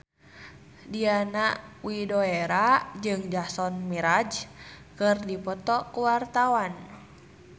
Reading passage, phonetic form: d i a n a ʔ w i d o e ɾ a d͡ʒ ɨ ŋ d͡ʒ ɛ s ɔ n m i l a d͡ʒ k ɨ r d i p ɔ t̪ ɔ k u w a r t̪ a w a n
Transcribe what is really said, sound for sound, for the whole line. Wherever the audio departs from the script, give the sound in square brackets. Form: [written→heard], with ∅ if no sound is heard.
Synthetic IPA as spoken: d i a n a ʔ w i d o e ɾ a d͡ʒ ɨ ŋ d͡ʒ [ɛ→a] s ɔ n m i [l→ɾ] a d͡ʒ k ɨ r d i p ɔ t̪ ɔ k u w a r t̪ a w a n